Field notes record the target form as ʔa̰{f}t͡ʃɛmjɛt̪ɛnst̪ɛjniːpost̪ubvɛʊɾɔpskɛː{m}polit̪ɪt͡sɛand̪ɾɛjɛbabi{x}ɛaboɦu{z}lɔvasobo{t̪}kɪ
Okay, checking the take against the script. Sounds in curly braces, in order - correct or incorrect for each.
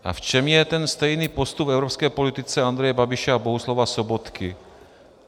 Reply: correct, incorrect: none, incorrect: ʃ, incorrect: s, correct

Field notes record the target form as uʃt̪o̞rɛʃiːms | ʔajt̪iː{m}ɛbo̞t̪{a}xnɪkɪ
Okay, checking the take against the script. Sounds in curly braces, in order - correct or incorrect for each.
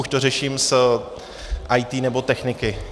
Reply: incorrect: n, incorrect: ɛ

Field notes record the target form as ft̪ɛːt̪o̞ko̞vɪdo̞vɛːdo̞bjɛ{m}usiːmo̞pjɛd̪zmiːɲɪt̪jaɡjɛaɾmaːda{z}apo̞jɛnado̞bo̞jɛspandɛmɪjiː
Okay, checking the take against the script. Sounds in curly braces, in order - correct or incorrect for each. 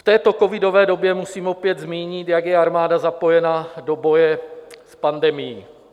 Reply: correct, correct

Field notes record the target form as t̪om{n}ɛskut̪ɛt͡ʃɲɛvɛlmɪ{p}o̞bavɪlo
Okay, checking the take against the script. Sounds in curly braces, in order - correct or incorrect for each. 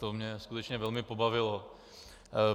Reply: incorrect: ɲ, correct

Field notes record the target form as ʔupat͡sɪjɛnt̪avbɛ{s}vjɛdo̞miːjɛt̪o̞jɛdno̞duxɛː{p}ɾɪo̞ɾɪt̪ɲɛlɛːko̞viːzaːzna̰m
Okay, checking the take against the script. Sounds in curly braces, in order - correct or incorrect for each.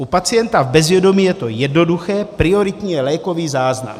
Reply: incorrect: z, correct

